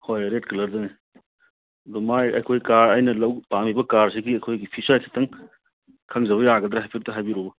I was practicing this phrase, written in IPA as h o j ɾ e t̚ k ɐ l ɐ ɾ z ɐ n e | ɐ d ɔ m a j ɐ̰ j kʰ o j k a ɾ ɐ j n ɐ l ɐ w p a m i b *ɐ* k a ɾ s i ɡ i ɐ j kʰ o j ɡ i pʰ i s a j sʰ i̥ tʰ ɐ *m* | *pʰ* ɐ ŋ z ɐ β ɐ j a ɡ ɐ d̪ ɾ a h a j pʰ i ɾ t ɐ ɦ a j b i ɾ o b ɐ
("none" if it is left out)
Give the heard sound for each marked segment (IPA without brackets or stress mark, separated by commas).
ɐ, ŋ, kʰ